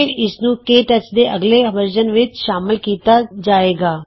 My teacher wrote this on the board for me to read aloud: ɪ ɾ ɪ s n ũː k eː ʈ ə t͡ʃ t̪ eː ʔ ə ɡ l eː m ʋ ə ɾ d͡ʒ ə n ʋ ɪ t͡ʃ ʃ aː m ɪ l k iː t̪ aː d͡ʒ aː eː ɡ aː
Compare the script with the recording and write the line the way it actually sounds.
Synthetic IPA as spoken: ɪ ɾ ɪ s n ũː k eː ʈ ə t͡ʃ d̪ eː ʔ ə ɡ l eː ʋ ə ɾ d͡ʒ ə n ʋ ɪ t͡ʃ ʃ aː m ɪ l k iː t̪ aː d͡ʒ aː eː ɡ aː